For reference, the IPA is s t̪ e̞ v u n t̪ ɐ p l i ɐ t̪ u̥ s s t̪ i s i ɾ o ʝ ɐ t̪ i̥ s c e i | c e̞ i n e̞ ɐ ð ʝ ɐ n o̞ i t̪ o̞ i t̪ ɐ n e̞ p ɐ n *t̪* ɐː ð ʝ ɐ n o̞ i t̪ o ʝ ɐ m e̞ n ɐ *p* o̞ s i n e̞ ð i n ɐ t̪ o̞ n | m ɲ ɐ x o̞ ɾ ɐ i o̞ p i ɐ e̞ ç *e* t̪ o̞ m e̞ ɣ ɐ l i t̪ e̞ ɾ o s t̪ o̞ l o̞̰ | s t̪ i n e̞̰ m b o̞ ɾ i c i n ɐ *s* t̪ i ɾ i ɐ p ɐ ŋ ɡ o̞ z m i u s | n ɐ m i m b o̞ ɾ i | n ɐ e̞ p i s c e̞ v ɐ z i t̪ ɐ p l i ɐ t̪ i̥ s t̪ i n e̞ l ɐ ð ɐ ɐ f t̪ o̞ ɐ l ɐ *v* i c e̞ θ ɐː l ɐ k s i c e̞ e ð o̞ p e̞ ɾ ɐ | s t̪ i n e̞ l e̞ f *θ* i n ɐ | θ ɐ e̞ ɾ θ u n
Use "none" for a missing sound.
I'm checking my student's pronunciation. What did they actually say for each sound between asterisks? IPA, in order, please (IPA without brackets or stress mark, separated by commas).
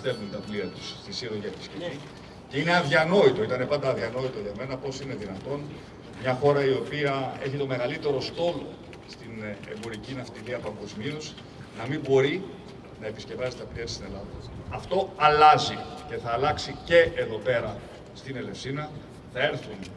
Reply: d̪, p, i, f, z, s